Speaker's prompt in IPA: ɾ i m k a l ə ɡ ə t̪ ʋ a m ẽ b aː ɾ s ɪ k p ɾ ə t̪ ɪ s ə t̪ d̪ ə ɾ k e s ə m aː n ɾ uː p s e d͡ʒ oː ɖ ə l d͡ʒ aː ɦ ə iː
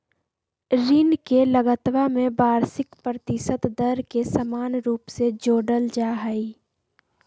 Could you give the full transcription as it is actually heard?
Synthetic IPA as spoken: ɾ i n k e l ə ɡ ə t̪ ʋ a m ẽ b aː ɾ s ɪ k p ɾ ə t̪ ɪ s ə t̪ d̪ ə ɾ k e s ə m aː n ɾ uː p s e d͡ʒ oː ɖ ə l d͡ʒ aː ɦ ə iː